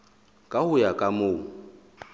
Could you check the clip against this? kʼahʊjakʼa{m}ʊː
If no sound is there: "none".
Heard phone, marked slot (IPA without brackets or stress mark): m